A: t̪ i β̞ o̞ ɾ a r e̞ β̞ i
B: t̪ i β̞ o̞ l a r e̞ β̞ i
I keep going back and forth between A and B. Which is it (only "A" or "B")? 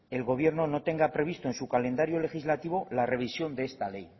B